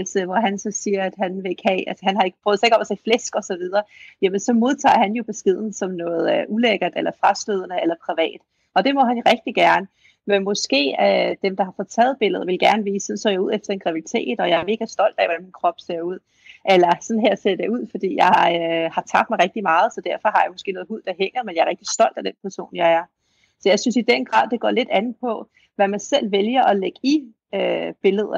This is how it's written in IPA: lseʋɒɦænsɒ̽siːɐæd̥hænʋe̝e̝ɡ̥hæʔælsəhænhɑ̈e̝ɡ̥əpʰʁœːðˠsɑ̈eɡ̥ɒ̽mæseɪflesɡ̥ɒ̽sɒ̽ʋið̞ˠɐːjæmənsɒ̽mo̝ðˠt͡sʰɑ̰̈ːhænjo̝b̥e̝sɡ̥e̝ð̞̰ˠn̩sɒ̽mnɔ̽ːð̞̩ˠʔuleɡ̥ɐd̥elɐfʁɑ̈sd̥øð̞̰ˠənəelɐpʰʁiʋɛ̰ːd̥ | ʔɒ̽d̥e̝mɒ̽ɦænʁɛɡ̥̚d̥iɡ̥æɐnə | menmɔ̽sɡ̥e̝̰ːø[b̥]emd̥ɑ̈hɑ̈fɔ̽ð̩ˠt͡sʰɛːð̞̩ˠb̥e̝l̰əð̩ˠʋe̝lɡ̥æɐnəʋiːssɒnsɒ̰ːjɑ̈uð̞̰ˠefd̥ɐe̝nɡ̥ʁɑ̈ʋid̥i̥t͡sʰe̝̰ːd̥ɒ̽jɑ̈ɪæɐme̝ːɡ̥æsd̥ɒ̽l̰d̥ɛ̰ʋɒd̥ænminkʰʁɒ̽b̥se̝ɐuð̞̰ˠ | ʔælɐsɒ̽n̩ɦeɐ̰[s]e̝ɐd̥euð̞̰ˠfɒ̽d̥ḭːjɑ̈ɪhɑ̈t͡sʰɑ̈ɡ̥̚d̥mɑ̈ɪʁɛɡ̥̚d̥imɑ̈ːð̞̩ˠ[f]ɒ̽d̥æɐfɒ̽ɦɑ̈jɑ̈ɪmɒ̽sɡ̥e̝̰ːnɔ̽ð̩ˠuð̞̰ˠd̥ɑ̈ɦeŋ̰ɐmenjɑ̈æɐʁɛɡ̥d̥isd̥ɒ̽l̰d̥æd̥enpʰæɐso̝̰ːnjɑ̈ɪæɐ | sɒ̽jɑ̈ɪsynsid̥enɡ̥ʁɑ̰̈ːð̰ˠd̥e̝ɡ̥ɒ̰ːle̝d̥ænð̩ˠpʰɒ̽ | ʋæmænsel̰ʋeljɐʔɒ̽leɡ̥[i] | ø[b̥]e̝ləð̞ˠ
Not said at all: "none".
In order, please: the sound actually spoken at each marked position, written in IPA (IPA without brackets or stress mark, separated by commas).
d̥, s, s, i, b̥